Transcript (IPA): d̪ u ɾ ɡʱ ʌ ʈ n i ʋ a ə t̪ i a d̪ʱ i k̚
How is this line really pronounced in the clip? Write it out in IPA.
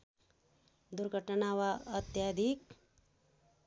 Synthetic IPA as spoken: d̪ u ɾ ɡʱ ə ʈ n a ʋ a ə t̪ j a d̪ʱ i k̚